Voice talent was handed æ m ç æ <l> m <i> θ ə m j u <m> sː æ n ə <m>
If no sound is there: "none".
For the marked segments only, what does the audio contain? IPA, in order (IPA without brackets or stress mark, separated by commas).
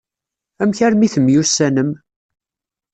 ɾ, i, none, m